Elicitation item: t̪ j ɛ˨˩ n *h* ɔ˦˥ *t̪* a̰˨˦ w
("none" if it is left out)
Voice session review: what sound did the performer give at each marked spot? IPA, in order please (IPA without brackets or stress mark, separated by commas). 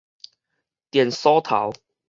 s, t̪ʰ